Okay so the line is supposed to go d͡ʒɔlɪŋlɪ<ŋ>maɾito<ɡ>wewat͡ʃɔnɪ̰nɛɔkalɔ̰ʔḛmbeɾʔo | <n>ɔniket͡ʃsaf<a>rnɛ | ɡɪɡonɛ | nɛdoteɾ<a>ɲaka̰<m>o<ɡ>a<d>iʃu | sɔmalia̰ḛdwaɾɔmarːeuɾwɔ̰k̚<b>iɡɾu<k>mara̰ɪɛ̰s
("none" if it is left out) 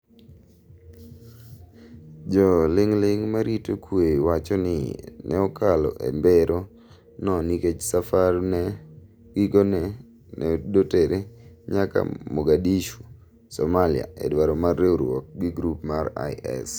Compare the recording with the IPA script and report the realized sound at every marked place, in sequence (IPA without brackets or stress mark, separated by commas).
ŋ, k, n, a, e, m, ɡ, d, ɡ, p